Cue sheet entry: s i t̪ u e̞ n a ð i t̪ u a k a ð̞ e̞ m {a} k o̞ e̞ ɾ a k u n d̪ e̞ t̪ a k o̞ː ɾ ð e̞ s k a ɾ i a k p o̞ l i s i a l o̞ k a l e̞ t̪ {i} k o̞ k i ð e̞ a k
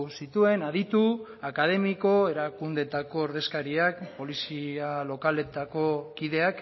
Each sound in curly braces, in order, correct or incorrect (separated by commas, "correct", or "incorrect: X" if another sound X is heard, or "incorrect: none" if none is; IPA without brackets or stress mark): incorrect: i, incorrect: a